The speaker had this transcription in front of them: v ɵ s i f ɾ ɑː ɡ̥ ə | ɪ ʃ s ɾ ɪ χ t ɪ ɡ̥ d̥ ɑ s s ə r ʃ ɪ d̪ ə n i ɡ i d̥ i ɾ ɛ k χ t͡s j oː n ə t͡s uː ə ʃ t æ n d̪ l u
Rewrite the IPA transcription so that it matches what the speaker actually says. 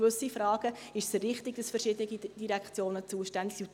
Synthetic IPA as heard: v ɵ s i f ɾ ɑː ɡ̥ ə | ɪ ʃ s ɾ ɪ χ t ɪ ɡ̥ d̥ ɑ s f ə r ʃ ɪ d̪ ə n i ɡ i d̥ i ɾ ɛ k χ t͡s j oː n ə t͡s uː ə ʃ t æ n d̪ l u

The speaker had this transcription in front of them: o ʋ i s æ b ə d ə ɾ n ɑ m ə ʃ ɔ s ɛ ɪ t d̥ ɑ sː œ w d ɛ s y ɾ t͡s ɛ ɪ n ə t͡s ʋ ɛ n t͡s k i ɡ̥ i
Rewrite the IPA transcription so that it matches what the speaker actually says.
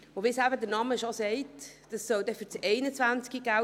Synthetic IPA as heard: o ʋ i s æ b ə d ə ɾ n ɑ m ə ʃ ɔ s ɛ ɪ t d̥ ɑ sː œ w d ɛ f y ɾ t͡s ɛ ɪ n ə t͡s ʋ æ n t͡s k i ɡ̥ æ

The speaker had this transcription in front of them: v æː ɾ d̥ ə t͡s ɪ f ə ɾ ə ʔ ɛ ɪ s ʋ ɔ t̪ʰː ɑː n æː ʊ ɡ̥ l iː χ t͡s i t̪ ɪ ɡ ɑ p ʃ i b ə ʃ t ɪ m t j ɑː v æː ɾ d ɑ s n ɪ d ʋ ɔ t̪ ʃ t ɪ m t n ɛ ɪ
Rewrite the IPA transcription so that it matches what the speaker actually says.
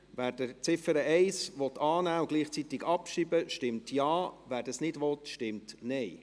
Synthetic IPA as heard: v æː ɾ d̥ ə t͡s ɪ f ə ɾ ə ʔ ɛ ɪ s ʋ ɔ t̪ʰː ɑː n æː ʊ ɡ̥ l iː χ t͡s i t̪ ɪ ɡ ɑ p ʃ i b ə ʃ t ɪ m t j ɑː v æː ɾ d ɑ s n ɪ d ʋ ɔ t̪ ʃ t ɪ m t n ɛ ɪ

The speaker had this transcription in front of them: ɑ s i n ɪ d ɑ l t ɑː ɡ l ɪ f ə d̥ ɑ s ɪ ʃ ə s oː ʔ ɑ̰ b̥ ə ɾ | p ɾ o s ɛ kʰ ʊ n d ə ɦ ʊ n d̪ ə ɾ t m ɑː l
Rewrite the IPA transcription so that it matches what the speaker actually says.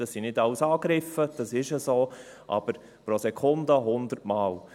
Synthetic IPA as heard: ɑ s i n ɪ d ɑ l s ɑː ɡ ɾ ɪ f ə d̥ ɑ s ɪ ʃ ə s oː ʔ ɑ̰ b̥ ə ɾ | p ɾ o s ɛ kʰ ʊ n d ə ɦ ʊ n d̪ ə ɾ t m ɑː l

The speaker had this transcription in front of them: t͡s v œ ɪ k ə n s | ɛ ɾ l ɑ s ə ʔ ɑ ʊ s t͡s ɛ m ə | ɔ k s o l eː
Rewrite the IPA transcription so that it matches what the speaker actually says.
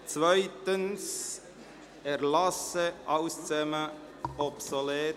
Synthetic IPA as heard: t͡s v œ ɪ t ə n s | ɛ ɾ l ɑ s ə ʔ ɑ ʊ s t͡s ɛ m ə | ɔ p s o l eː

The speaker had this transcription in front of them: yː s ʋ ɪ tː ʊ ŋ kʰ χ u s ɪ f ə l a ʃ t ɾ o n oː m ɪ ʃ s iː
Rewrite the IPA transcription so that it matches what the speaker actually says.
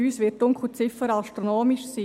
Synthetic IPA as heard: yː s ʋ ɪ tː ʊ ŋ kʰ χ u t͡s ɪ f ə ɾ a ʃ t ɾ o n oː m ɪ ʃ s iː

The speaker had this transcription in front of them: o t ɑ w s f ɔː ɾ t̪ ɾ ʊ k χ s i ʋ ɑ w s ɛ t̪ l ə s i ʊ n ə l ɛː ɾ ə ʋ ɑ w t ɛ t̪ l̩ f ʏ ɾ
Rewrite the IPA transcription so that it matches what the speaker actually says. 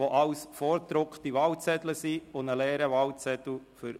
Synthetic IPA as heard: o ʔ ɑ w s f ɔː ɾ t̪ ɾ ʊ k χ t i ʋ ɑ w t͡s ɛ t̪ l ə s i ʊ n ə l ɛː ɾ ə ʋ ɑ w t͡s ɛ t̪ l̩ f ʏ ɾ

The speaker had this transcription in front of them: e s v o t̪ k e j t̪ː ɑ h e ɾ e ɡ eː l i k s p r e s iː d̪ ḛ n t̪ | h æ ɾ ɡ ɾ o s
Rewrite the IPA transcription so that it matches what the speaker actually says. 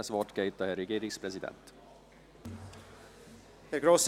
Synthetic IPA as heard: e s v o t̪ k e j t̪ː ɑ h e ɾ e ɡ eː ɾ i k s p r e s i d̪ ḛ n t̪ | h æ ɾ ɡ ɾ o s

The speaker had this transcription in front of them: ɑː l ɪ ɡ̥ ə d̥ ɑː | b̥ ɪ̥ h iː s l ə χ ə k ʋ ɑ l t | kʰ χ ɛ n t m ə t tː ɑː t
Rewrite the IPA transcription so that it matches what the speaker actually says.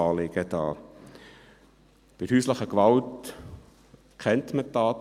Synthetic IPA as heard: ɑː l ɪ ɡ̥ ə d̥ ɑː | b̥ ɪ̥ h yː s l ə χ ə k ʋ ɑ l t | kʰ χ ɛ n t m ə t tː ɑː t

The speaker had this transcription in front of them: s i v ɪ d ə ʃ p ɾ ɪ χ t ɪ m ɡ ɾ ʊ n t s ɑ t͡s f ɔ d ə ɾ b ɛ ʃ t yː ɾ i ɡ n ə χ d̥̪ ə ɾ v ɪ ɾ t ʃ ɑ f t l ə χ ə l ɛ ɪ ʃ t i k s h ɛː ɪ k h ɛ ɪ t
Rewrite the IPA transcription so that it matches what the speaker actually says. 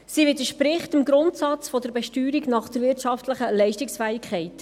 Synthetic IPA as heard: s i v ɪ d ə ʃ p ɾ ɪ χ t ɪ m ɡ ɾ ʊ n t s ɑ t͡s f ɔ d ə ɾ b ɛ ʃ t yː ɾ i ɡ n ɑ χ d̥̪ ə ɾ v ɪ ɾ t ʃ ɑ f t l ə χ ə l ɛ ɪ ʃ t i k s f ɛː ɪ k χ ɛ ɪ t

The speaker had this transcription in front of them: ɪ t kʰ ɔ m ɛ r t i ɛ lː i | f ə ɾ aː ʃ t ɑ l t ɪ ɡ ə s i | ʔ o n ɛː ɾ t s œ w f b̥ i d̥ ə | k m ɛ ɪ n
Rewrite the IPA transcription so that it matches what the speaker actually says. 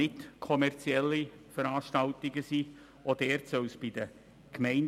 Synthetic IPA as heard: ɪ t kʰ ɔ m ɛ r t͡s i ɛ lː i | f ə ɾ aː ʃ t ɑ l t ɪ ɡ ə s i | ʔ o d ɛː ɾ t s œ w s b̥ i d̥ ə | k m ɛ ɪ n

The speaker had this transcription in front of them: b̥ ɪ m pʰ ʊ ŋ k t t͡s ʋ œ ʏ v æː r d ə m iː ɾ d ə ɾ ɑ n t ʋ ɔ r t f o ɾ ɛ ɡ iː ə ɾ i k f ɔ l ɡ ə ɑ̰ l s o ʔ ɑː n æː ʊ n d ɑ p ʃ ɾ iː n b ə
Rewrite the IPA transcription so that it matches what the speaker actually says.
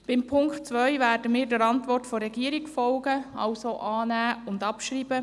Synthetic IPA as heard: b̥ ɪ m pʰ ʊ ŋ k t t͡s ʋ œ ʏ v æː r d ə m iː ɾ d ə ɾ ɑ n t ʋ ɔ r t f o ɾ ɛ ɡ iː ə ɾ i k f ɔ l ɡ ə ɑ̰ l s o ʔ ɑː n æː ʊ n d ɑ p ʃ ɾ iː b ə

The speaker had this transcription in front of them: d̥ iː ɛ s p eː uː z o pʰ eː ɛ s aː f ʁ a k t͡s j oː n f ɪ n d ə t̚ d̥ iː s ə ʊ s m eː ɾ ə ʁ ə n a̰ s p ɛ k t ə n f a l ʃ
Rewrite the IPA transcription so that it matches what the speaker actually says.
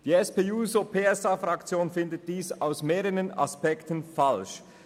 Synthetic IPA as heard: d̥ iː ɛ s p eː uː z o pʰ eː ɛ s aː f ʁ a k t͡s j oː n f ɪ n d ə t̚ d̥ iː s a ʊ s m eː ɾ ə ʁ ə n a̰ s p ɛ k t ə n f a l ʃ

